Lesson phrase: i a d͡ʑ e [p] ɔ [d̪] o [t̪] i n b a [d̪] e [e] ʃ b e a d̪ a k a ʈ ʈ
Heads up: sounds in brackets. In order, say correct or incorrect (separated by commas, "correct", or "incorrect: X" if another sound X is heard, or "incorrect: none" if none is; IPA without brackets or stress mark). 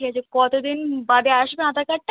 incorrect: k, incorrect: t̪, incorrect: d̪, correct, incorrect: a